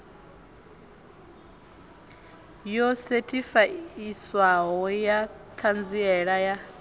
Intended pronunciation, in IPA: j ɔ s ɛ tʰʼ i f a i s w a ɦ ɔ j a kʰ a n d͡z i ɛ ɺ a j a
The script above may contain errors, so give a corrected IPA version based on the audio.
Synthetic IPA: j ɔ s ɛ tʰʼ i f a i s w a ɦ ɔ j a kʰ a n d͡z i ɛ ɺ a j a